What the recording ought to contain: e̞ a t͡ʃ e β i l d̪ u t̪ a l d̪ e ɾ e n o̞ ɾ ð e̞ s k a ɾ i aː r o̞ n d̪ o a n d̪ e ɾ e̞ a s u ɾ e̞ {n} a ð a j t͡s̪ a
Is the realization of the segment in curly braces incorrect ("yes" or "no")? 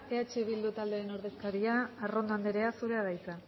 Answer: yes